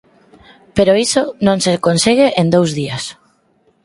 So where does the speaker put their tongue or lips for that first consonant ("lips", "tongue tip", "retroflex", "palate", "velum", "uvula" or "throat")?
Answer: lips